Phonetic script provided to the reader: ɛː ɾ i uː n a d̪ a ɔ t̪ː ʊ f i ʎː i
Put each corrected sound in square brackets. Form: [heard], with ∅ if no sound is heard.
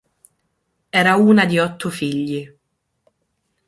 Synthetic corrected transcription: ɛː ɾ [a] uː n a d̪ [i] ɔ t̪ː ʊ f i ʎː i